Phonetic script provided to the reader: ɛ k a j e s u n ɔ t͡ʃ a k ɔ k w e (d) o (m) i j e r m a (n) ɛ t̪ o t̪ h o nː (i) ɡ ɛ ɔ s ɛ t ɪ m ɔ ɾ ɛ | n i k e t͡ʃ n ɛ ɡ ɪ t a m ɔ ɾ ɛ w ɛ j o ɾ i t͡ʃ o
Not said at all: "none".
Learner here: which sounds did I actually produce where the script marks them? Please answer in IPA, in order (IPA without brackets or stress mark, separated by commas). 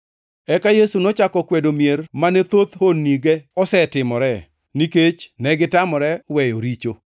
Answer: d, m, n, i